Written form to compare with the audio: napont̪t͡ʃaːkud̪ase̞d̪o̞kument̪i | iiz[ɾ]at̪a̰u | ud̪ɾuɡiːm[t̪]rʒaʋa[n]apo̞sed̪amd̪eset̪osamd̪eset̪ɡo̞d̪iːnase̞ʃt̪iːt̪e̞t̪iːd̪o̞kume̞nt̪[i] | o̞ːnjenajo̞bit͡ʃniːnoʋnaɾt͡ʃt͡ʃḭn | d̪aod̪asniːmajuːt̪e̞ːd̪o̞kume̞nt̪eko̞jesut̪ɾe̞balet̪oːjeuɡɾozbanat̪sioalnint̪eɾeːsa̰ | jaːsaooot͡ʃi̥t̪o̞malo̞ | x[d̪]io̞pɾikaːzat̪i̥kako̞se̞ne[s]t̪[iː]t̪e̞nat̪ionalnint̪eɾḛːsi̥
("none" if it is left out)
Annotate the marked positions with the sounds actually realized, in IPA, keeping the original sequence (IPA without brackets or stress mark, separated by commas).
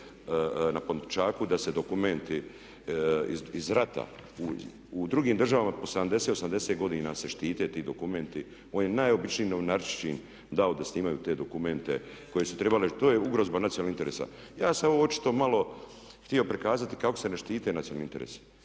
ɾ, d̪, m, i, t̪, ʃ, iː